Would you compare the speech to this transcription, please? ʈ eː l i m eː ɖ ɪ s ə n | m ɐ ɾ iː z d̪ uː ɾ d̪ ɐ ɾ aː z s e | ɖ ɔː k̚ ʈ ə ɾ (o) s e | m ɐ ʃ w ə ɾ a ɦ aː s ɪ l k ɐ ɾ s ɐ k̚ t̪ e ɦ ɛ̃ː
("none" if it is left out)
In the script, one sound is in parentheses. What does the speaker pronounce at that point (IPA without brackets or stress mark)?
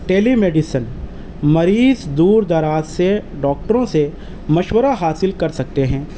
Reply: õ